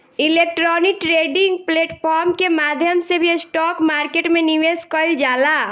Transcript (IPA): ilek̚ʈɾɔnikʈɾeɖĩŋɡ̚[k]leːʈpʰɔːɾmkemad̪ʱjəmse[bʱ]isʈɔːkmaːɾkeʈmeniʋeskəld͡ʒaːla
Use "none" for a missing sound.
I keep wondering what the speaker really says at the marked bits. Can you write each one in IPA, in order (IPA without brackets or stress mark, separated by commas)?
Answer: p, bʱ